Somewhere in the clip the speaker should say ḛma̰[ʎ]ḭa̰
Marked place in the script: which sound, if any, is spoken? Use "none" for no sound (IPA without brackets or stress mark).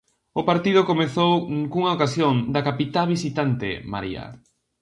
ɾ